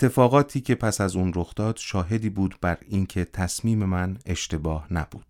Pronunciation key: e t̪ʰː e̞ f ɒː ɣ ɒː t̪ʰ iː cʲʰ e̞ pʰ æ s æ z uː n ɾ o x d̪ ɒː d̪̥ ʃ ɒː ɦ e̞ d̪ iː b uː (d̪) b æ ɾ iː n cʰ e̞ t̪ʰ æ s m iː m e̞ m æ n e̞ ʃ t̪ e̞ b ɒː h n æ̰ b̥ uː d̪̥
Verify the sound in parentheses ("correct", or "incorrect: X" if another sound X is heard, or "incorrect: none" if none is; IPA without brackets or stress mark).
correct